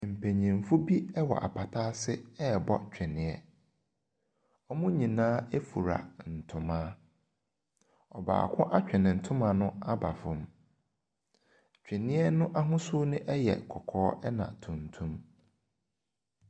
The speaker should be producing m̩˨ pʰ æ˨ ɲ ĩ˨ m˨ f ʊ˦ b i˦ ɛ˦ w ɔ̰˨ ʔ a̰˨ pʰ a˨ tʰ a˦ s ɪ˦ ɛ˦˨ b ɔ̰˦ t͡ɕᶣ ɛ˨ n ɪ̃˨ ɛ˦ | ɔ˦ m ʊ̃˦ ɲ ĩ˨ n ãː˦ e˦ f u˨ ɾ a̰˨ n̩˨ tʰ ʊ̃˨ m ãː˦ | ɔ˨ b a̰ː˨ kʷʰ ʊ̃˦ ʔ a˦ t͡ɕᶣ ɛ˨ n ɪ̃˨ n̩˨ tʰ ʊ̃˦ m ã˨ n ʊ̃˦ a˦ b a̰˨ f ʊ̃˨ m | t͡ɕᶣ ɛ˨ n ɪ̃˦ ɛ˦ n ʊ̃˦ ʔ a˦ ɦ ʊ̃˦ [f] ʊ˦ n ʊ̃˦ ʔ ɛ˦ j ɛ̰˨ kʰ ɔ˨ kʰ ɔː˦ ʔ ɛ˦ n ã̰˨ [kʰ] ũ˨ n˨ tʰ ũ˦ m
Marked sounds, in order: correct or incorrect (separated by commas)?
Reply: incorrect, incorrect